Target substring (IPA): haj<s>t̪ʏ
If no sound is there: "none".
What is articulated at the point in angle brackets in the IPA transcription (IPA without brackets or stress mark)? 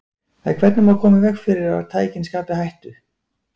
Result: h